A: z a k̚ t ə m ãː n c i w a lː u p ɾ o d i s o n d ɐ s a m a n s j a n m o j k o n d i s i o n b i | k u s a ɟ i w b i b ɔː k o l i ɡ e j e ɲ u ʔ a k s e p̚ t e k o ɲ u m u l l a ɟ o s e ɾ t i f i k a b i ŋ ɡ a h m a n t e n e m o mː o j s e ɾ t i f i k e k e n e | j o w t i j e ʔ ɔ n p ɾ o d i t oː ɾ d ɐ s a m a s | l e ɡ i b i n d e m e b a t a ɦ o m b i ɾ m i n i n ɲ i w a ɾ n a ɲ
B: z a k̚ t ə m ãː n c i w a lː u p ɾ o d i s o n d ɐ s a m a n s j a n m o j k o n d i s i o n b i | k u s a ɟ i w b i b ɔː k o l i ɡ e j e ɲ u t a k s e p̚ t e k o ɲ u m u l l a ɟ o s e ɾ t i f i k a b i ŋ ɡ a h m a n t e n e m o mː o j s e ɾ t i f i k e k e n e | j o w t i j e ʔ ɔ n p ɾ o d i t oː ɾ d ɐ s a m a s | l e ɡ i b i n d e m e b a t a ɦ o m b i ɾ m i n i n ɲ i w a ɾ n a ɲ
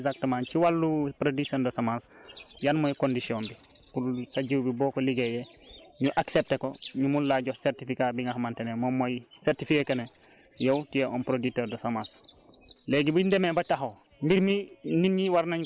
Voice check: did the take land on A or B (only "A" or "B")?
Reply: A